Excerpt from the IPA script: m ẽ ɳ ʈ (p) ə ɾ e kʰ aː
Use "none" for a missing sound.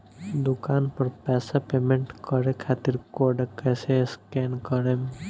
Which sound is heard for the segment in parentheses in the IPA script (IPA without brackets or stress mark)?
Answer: k